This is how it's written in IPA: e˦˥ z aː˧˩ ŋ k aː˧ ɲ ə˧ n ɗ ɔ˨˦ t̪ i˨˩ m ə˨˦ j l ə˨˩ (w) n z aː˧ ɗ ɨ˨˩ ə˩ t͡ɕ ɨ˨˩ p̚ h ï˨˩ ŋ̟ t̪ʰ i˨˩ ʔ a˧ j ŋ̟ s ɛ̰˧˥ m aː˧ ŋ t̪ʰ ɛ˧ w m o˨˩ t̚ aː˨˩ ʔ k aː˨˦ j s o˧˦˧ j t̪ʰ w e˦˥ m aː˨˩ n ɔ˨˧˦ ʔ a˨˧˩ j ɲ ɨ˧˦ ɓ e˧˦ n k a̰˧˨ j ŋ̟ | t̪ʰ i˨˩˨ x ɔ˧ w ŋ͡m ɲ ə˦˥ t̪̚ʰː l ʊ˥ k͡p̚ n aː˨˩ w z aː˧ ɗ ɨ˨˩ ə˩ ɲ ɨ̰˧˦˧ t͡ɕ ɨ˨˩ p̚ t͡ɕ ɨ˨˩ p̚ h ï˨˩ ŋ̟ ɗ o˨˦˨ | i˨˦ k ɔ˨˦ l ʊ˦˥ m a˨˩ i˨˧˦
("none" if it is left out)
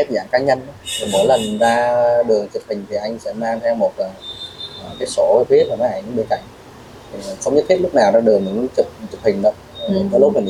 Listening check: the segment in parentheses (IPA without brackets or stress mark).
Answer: none